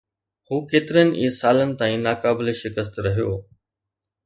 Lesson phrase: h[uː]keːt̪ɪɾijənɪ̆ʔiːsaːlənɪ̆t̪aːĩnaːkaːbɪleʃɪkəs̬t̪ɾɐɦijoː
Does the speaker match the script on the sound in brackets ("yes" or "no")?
yes